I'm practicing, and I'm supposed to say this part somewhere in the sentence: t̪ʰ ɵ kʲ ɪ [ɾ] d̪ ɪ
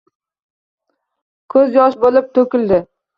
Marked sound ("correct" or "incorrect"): incorrect